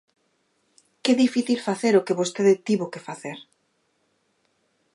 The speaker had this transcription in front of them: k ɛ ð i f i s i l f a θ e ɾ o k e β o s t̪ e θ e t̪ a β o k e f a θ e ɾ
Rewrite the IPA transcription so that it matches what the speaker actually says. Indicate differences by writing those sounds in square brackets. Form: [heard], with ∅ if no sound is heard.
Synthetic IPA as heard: k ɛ ð i f i [θ] i l f a θ e ɾ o k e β o s t̪ e [ð] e t̪ [i] β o k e f a θ e ɾ